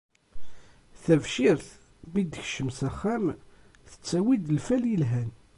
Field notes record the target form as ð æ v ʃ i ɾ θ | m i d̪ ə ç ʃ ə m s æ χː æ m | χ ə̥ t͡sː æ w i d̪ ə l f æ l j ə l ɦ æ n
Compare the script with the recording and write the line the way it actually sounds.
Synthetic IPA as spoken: θ æ v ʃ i ɾ θ | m i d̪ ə ç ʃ ə m s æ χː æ m | θ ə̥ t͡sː æ w i d̪ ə l f æ l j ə l ɦ æ n

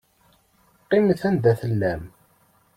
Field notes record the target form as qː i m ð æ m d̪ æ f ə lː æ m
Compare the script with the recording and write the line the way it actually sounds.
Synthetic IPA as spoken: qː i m θ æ n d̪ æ θ ə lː æ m

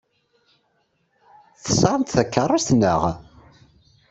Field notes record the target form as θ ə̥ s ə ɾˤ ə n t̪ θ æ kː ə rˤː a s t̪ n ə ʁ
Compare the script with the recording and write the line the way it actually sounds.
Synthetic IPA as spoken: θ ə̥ s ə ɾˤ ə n t̪ θ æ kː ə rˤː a s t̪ n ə ʁ

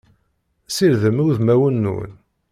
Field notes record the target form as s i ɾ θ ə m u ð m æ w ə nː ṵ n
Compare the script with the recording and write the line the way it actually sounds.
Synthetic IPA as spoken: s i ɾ ð ə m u ð m æ w ə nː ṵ n

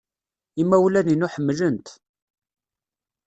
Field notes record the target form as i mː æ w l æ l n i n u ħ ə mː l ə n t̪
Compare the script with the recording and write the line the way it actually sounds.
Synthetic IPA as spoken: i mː æ w l æ n i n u ħ ə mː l ə n t̪

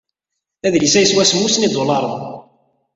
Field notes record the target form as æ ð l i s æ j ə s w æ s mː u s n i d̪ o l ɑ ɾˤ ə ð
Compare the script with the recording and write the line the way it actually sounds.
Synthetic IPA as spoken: æ ð l i s æ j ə s w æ s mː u s n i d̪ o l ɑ ɾˤ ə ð

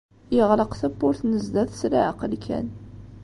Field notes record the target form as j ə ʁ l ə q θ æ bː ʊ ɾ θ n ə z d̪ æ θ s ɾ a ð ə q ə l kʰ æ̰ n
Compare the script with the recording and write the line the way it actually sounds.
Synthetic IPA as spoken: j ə ʁ l ə q θ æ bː ʊ ɾ θ n ə z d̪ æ θ s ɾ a ʕ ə q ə l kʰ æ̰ n

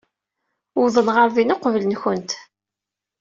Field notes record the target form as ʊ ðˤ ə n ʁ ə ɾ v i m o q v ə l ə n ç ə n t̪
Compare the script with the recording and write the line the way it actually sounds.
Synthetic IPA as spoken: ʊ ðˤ ə n ʁ ə ɾ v i n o q v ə l ə n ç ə n t̪

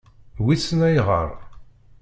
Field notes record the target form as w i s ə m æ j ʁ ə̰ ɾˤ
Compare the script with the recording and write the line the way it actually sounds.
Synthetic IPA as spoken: w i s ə n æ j ʁ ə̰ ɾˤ

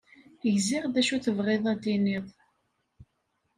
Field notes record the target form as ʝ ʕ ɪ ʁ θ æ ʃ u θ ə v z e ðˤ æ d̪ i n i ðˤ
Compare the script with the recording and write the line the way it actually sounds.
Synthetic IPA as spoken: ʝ z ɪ ʁ ð æ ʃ u θ ə v ʁ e ðˤ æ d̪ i n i ðˤ

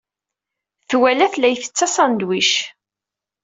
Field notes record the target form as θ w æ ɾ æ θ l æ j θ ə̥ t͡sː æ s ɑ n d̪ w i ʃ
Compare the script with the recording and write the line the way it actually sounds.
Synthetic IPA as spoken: θ w æ l æ θ l æ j θ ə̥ t͡sː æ s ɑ n d̪ w i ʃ

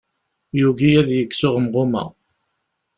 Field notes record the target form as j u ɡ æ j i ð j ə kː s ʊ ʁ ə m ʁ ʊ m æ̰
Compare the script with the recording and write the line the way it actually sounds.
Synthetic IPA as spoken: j u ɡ i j æ ð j ə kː s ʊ ʁ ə m ʁ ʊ m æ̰

